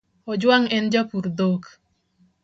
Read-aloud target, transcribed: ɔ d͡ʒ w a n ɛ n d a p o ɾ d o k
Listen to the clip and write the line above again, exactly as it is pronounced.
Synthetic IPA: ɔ d͡ʒ w a ŋ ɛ n d͡ʒ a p u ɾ d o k